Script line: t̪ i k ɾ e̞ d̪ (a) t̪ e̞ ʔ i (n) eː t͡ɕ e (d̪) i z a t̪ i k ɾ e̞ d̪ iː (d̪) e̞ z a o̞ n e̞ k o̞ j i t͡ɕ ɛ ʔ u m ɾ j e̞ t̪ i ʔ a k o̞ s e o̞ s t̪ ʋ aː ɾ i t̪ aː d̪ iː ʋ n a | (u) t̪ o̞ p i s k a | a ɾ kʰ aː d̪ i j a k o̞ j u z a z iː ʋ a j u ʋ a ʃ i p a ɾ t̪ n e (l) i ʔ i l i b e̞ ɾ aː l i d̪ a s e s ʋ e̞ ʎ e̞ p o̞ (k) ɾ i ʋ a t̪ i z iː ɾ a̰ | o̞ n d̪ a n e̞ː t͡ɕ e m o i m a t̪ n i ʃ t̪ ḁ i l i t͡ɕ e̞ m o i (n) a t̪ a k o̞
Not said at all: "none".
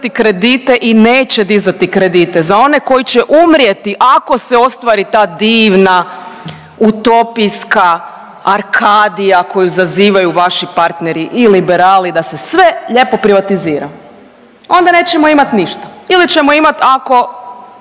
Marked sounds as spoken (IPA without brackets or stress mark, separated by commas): i, n, d̪, t̪, u, ɾ, p, m